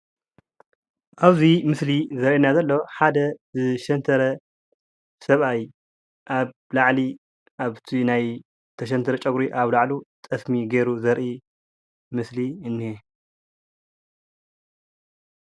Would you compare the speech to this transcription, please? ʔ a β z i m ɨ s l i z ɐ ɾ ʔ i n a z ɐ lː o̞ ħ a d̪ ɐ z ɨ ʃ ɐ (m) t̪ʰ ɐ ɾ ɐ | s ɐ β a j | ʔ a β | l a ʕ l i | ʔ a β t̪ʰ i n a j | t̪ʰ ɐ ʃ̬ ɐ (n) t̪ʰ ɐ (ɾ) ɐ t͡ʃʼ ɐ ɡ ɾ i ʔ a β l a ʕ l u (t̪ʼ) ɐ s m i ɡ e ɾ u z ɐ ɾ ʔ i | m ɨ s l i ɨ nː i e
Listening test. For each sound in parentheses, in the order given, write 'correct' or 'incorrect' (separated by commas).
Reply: incorrect, correct, correct, correct